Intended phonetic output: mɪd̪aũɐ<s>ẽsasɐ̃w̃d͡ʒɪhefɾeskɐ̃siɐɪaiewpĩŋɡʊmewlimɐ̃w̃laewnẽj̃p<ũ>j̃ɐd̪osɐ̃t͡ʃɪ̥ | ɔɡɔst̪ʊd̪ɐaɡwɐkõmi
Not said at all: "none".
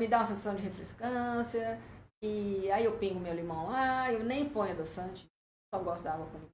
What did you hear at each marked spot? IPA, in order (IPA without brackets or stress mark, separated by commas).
s, õ